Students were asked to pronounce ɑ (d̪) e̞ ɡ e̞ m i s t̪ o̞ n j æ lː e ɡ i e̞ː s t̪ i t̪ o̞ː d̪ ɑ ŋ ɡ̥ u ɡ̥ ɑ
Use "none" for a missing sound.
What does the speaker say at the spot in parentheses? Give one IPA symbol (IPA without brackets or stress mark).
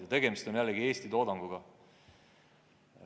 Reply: t̪